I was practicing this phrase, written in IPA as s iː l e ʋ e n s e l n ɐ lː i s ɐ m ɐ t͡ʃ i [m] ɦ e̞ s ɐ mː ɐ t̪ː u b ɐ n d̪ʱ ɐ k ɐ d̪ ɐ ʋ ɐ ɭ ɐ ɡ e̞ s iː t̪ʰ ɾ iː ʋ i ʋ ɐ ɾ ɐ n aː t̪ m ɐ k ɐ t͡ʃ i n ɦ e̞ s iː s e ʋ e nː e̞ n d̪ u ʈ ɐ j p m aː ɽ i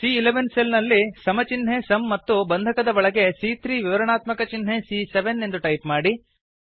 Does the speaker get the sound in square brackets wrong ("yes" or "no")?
yes